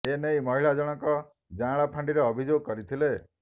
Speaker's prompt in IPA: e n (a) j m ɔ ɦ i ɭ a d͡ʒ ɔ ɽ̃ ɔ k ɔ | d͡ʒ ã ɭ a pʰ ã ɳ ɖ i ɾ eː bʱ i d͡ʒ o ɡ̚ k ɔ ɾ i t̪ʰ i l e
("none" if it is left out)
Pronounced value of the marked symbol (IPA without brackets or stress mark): e